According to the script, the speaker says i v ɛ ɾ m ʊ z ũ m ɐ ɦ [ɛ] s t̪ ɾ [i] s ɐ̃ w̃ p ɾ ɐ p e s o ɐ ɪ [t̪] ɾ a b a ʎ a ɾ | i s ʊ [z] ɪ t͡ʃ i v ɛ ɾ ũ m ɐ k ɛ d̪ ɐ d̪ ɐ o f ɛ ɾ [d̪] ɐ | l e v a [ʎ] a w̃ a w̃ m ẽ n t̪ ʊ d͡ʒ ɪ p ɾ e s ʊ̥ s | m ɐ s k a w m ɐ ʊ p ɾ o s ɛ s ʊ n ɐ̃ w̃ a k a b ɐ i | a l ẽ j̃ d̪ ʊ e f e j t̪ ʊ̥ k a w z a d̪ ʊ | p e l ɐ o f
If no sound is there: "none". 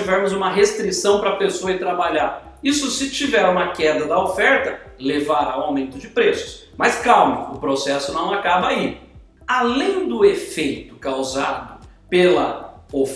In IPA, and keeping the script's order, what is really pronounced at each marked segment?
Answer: e, i, t̪, s, t̪, ɾ

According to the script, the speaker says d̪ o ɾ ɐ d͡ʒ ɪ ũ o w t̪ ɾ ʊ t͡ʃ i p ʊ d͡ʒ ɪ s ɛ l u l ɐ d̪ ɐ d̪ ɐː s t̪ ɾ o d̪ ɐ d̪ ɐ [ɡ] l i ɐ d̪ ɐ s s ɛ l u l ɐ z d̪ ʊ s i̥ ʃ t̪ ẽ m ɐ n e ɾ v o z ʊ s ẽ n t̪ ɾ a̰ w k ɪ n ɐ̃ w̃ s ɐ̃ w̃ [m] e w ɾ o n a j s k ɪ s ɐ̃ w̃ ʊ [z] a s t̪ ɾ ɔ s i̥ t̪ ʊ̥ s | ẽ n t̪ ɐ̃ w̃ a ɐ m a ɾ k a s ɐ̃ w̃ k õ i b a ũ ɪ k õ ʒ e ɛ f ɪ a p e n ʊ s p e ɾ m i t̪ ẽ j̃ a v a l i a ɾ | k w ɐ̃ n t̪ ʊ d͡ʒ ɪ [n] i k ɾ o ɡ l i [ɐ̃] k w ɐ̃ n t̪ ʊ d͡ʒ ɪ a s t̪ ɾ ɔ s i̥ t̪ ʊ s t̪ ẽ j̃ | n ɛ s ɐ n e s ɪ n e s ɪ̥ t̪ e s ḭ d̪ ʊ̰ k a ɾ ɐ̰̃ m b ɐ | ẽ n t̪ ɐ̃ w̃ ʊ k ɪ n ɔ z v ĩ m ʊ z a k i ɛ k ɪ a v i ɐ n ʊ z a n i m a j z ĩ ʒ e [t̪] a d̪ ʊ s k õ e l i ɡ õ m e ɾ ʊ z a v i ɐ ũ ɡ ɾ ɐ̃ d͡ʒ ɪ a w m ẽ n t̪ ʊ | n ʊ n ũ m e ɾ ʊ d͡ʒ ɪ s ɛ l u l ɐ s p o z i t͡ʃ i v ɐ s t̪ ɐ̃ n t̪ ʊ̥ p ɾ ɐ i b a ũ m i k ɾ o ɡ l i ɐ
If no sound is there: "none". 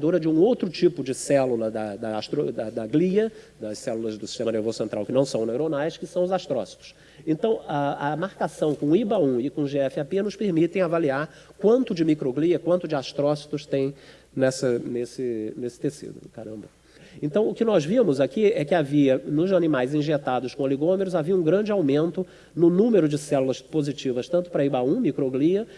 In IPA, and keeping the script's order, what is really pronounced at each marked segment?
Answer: ɡ, n, z, m, ɐ, t̪

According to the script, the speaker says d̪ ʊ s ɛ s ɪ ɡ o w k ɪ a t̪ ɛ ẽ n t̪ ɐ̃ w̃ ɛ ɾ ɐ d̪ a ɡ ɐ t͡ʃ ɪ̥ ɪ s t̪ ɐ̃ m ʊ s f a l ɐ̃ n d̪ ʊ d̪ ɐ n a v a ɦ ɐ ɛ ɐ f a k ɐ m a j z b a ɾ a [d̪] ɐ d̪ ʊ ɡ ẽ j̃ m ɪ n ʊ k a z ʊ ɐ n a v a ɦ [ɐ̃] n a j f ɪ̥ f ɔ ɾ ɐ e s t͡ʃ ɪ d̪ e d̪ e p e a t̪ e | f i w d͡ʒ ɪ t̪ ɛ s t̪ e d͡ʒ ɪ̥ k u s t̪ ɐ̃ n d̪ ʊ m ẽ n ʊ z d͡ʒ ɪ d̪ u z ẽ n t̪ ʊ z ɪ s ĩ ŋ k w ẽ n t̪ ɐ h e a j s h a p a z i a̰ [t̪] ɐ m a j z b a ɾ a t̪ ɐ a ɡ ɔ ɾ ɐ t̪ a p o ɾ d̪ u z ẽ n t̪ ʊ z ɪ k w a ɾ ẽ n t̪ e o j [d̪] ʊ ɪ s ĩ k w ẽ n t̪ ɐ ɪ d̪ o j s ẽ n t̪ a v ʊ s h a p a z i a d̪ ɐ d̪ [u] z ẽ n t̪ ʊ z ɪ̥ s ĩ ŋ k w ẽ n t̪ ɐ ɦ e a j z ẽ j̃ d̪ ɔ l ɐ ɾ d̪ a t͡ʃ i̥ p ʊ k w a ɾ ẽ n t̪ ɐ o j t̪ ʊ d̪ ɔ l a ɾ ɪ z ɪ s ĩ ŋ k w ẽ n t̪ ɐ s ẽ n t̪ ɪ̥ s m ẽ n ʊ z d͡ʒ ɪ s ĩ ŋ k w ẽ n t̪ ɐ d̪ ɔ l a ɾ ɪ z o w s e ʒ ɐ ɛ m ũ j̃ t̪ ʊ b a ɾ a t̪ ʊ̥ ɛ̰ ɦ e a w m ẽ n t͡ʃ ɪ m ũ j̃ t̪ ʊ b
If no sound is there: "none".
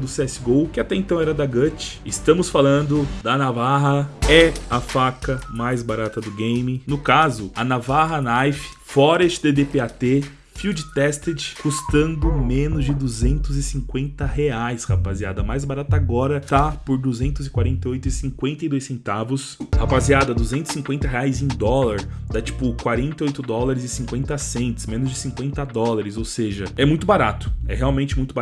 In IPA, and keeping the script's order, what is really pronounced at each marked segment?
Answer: t̪, ɐ, d̪, t̪, u

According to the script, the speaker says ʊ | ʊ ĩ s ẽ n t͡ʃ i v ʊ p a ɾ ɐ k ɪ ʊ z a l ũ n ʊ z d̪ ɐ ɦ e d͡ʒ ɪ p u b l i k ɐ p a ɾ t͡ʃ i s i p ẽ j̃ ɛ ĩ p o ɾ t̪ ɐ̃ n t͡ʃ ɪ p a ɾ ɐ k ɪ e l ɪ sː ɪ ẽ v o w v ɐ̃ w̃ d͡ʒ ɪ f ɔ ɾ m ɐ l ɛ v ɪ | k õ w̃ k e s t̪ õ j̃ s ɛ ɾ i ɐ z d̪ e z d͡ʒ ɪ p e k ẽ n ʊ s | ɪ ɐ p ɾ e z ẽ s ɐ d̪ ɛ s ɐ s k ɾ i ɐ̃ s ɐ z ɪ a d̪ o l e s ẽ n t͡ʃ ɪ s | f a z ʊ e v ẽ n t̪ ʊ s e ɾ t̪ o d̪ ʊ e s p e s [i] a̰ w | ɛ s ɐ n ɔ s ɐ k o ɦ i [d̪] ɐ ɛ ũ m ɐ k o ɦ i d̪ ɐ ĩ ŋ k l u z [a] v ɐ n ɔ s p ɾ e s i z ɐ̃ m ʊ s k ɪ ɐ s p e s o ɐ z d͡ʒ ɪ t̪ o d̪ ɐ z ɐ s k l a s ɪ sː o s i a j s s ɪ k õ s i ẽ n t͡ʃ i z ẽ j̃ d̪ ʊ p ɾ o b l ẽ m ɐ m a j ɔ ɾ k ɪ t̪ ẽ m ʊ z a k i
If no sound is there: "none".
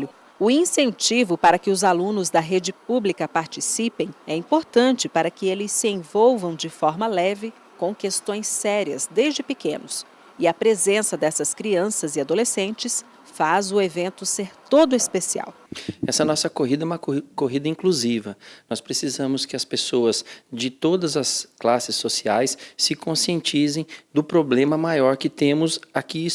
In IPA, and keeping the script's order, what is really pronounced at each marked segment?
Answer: i, d̪, i

